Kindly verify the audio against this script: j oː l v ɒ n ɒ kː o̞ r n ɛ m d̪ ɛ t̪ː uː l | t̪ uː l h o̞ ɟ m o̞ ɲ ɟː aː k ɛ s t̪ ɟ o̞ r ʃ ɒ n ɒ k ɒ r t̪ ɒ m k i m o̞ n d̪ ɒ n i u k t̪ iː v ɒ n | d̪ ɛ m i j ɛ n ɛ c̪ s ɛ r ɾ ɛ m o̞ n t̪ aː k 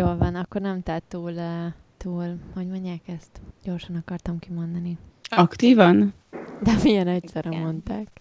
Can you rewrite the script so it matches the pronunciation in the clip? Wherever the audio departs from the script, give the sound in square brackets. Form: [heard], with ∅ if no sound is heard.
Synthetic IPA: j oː l v ɒ n ɒ kː o̞ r n ɛ m [t̪] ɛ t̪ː uː l | t̪ uː l h o̞ ɟ m o̞ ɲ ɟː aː k ɛ s t̪ ɟ o̞ r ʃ ɒ n ɒ k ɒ r t̪ ɒ m k i m o̞ n d̪ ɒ n i [ɒ] k t̪ iː v ɒ n | d̪ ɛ m i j ɛ n ɛ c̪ s ɛ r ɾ ɛ m o̞ n t̪ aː k